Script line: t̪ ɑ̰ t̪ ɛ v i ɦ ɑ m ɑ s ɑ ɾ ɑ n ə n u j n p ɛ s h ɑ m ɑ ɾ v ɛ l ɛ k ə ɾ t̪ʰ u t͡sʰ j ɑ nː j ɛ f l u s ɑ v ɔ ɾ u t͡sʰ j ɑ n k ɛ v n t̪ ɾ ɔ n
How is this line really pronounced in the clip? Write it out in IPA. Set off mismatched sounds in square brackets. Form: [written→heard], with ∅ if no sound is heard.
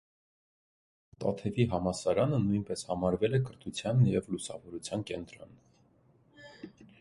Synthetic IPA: t̪ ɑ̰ [t̪→t̪ʰ] ɛ v i ɦ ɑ m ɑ s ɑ ɾ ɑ n ə n u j n p ɛ s h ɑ m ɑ ɾ v ɛ l ɛ k ə ɾ t̪ʰ u t͡sʰ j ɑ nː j ɛ [f→v] l u s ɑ v ɔ ɾ u t͡sʰ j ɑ n k ɛ [v→∅] n t̪ ɾ ɔ n